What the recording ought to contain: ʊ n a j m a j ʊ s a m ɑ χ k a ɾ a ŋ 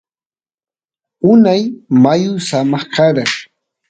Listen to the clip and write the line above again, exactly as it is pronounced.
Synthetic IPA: ʊ n a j m a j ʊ s a m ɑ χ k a ɾ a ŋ

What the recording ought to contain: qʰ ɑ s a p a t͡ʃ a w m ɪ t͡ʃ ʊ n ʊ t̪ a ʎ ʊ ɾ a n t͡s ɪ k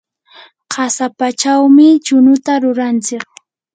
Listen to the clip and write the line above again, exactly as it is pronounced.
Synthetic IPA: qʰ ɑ s a p a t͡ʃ a w m ɪ t͡ʃ ʊ n ʊ t̪ a ɾ ʊ ɾ a n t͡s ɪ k

